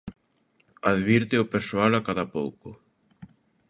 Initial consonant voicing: voiced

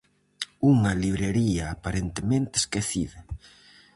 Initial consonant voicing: voiced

